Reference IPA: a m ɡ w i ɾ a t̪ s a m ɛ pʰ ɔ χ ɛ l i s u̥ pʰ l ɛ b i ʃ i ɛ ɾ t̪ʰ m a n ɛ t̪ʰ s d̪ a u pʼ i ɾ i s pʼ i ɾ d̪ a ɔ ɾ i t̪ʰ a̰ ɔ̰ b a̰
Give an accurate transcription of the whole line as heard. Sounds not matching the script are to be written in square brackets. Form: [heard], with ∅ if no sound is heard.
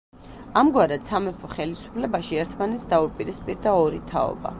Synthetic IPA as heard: a m ɡ w [a] ɾ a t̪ s a m ɛ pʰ ɔ χ ɛ l i s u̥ pʰ l ɛ b [a] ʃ i ɛ ɾ t̪ʰ m a n ɛ [t̪] s d̪ a u pʼ i ɾ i s pʼ i ɾ d̪ a ɔ ɾ i t̪ʰ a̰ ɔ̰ b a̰